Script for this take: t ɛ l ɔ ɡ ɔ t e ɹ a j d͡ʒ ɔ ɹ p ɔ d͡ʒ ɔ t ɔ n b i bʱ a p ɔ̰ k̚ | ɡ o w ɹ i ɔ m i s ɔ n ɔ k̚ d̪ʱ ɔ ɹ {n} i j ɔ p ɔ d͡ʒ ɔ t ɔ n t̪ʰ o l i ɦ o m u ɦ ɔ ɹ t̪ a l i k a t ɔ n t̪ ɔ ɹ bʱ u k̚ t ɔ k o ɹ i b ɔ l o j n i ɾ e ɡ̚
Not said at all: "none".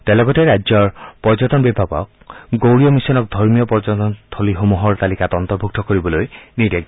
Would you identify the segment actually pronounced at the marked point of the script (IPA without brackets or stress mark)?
m